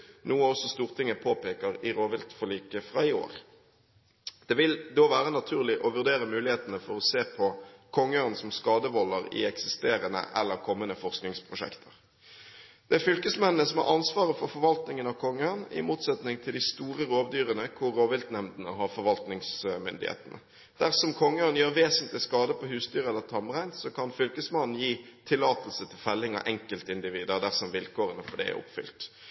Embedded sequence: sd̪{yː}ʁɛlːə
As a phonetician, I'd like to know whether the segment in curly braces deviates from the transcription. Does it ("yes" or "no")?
no